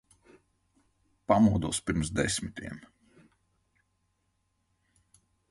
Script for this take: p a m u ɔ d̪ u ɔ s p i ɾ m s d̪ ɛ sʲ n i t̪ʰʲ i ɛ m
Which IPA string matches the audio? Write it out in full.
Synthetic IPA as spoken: p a m u ɔ d̪ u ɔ s p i ɾ m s d̪ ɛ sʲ m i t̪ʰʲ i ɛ m

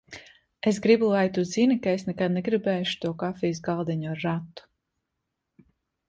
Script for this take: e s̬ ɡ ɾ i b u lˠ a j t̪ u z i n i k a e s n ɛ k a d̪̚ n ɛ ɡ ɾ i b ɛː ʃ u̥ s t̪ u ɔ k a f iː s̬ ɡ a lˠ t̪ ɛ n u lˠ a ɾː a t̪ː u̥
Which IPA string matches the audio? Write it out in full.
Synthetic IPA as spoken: e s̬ ɡ ɾ i b u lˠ a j t̪ u z i n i k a e s n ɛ k a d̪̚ n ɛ ɡ ɾ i b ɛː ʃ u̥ t̪ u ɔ k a f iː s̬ ɡ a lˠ d̪ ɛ ɲ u a ɾː a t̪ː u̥

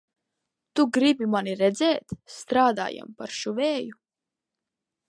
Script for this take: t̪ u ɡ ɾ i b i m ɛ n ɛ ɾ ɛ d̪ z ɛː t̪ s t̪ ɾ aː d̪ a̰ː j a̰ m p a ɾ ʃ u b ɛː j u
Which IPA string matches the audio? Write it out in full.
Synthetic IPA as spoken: t̪ u ɡ ɾ i b i m a n i ɾ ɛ d̪ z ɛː t̪ s t̪ ɾ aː d̪ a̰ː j a̰ m p a ɾ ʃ u v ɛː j u

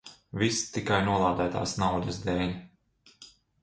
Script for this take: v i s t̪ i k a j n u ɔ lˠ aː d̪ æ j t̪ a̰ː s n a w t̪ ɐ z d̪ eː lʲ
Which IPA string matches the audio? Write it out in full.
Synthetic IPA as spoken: v i s t̪ i k a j n u ɔ lˠ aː d̪ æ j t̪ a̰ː s n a w d̪ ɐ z d̪ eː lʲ

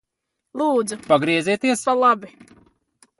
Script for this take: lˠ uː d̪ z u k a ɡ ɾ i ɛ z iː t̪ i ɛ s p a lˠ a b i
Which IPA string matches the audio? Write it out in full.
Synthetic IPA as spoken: lˠ uː d̪ z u p a ɡ ɾ i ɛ z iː t̪ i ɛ s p a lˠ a b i

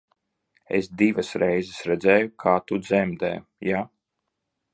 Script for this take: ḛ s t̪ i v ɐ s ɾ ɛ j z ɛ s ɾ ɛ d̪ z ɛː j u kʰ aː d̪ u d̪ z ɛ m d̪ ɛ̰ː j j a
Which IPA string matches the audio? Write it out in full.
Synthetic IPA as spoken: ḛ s d̪ i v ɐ s ɾ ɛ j z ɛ s ɾ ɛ d̪ z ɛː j u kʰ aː t̪ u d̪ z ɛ m d̪ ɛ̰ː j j a

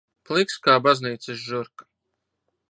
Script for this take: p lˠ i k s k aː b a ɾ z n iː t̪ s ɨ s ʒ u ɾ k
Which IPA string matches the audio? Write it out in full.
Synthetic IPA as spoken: p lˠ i k s k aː b a z n iː t̪ s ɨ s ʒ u ɾ k

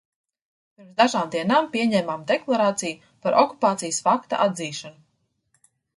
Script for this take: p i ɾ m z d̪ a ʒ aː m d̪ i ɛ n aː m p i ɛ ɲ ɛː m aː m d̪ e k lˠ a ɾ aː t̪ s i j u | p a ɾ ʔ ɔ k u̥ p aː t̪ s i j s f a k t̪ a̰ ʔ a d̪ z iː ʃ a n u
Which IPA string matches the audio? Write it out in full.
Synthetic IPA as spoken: p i ɾ m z d̪ a ʒ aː m d̪ i ɛ n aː m p i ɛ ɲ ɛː m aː m d̪ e k lˠ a ɾ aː t̪ s i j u | p a ɾ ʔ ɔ k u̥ p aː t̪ s i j s f a k t̪ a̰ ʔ a d̪ z iː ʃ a n u

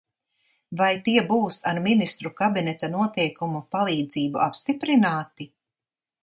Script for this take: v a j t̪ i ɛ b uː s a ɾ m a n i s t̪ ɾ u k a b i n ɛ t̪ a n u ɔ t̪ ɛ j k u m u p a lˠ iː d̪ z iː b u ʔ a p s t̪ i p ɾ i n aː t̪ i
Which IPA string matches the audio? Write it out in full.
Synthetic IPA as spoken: v a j t̪ i ɛ b uː s a ɾ m i n i s t̪ ɾ u k a b i n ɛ t̪ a n u ɔ t̪ ɛ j k u m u p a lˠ iː d̪ z iː b u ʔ a p s t̪ i p ɾ i n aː t̪ i

